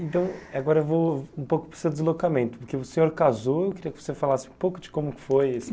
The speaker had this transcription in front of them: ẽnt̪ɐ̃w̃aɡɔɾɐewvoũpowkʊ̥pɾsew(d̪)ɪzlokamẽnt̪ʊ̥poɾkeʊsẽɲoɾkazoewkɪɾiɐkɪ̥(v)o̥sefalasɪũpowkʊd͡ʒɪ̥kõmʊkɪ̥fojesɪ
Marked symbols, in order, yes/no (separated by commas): yes, yes